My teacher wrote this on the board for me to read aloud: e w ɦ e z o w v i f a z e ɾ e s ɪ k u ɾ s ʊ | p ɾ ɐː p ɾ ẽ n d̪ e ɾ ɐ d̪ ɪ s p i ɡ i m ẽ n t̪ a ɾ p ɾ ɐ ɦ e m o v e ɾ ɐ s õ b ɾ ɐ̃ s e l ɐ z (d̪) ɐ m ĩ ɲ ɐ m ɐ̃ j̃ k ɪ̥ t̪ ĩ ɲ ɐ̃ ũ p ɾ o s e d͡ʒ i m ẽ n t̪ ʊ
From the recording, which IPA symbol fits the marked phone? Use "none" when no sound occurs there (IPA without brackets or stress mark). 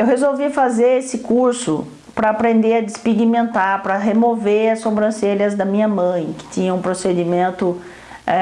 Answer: d̪